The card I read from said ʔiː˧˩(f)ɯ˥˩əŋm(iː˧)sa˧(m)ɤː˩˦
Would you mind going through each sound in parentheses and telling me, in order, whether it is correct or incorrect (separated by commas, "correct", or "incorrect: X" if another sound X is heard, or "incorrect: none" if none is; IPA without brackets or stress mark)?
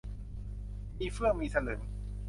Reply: correct, correct, incorrect: n